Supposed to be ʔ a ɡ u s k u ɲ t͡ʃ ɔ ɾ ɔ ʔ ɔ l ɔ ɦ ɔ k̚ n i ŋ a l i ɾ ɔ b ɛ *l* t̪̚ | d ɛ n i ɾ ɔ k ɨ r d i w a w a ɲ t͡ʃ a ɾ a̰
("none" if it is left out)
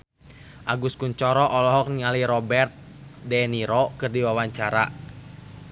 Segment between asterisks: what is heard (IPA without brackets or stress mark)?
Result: r